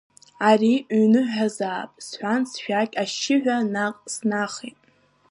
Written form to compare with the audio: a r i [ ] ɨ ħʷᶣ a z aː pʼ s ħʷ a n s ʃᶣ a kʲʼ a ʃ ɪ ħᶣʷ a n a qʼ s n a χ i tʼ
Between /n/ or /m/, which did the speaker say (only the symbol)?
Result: n